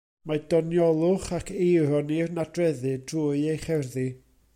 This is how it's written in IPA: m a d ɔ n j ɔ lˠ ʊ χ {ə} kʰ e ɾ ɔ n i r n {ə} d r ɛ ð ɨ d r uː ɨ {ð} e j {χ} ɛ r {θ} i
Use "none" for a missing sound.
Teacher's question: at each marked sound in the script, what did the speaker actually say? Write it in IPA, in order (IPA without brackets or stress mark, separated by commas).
a, a, none, χ, ð